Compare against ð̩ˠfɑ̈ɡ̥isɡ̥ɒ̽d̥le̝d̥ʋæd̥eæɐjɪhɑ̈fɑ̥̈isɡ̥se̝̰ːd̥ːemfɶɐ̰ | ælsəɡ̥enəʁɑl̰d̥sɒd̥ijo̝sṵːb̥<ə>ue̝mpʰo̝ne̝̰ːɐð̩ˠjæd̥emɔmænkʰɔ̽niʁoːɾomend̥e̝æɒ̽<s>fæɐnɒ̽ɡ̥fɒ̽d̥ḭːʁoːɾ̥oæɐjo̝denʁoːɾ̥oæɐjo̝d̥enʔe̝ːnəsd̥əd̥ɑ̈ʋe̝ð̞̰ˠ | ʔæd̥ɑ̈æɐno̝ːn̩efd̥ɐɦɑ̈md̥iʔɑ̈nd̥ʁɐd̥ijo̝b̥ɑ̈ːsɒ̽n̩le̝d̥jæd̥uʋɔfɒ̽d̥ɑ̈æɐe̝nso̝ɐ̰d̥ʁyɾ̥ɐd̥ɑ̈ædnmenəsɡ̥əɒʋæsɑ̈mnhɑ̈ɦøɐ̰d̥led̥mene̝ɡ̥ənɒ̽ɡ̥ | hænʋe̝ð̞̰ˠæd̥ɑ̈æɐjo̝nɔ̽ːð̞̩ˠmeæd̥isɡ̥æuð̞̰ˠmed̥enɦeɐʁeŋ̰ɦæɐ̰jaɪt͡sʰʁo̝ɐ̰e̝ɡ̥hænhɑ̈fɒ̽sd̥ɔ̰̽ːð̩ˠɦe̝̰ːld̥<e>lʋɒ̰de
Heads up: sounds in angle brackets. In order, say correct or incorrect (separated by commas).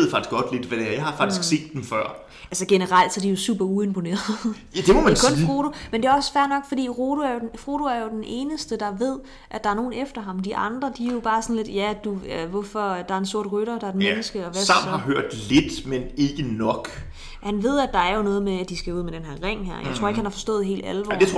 incorrect, correct, incorrect